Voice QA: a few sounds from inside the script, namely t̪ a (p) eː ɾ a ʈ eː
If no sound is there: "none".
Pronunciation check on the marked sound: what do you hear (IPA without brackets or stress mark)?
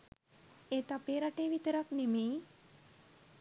p